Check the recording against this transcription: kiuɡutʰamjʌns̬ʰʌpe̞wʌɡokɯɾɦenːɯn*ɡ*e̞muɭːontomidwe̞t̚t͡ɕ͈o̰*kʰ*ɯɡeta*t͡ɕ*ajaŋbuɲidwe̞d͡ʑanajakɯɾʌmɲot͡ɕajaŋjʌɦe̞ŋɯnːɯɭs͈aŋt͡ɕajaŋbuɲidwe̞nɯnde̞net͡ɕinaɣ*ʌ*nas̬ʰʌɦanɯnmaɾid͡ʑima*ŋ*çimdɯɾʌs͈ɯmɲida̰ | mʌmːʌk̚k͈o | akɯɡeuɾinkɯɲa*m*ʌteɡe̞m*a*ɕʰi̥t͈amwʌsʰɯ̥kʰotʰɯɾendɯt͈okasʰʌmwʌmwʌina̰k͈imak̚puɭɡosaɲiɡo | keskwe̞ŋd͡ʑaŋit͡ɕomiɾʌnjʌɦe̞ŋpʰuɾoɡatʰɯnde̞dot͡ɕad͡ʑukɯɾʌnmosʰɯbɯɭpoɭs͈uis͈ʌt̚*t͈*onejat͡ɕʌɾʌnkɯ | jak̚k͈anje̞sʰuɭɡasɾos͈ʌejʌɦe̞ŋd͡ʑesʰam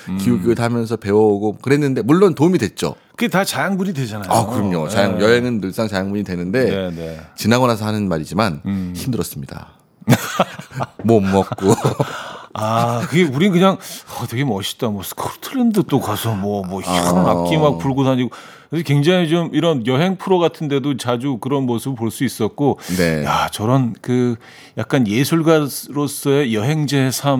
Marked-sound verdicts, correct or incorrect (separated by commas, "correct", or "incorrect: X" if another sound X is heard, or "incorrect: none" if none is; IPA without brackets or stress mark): incorrect: d, incorrect: k, correct, correct, incorrect: n, incorrect: ŋ, incorrect: ʌ, incorrect: k͈